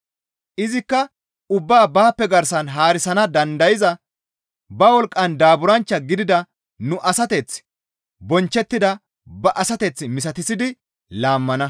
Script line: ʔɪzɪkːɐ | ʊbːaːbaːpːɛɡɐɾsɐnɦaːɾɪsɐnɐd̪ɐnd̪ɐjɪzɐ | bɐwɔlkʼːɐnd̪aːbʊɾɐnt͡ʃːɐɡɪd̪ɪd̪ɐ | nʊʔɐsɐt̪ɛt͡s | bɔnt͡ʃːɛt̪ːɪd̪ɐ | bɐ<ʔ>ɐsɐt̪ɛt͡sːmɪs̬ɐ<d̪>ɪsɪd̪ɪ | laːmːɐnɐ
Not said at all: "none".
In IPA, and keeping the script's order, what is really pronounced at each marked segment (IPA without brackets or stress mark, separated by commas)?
ʔ, t̪